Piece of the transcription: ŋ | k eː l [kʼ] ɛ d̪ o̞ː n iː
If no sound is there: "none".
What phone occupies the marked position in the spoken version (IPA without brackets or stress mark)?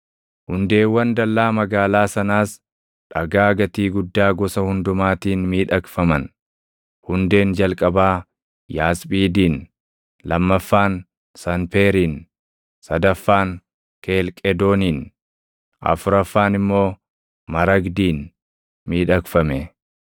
kʼ